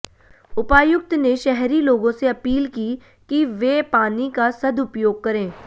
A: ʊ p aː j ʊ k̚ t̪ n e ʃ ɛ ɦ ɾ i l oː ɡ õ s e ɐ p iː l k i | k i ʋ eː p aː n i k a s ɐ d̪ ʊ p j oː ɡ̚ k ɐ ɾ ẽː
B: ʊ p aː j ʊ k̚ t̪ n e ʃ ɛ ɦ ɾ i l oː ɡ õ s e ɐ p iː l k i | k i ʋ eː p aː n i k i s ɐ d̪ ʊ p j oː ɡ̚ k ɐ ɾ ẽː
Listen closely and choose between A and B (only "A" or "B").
A